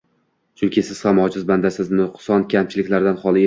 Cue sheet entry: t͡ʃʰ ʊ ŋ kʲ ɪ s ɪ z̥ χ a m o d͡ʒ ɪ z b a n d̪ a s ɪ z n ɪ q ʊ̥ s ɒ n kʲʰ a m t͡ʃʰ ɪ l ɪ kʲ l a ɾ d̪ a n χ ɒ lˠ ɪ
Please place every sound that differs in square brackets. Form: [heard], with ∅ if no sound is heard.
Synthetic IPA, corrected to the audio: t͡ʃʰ ʊ ŋ kʲ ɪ s ɪ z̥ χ a m [ɒ] d͡ʒ ɪ z b a n d̪ a s ɪ z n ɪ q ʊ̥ s ɒ n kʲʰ a m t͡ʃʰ ɪ l ɪ kʲ l a ɾ d̪ a n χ ɒ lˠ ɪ